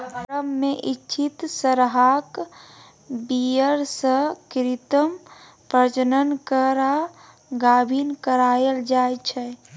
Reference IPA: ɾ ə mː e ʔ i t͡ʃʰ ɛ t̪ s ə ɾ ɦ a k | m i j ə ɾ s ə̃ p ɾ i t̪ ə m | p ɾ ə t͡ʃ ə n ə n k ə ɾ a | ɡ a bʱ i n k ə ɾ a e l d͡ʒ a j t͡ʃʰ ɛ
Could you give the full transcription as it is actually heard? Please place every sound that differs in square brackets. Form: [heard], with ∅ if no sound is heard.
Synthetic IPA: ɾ ə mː e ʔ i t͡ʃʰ [i] t̪ s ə ɾ ɦ a k | [b] i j ə ɾ s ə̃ [k] ɾ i t̪ ə m | p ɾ ə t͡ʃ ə n ə n k ə ɾ a | ɡ a bʱ i n k ə ɾ a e l d͡ʒ a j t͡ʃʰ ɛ